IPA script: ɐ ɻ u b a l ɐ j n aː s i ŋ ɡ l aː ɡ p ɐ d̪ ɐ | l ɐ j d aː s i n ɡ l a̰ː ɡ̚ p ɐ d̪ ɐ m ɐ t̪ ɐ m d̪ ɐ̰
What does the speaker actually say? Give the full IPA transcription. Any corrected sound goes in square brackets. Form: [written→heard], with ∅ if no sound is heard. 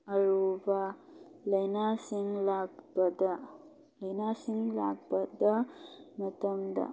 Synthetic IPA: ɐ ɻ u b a l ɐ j n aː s i ŋ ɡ l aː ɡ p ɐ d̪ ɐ | l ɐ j [d→n] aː s i [n→ŋ] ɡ l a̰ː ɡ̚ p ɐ d̪ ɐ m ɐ t̪ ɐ m d̪ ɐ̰